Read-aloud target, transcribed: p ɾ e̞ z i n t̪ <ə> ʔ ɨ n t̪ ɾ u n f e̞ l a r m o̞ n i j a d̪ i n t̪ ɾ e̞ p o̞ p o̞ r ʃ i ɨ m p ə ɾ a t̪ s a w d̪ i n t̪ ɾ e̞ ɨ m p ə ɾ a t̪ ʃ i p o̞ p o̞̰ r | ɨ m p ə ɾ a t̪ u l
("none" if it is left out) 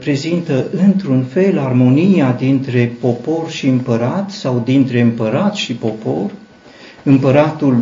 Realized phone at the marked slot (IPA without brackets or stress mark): ə